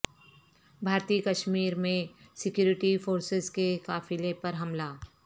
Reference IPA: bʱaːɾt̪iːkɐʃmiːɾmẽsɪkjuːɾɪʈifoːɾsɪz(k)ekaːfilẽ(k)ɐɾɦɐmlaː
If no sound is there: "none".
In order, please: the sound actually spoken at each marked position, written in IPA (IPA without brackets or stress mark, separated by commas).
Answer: k, p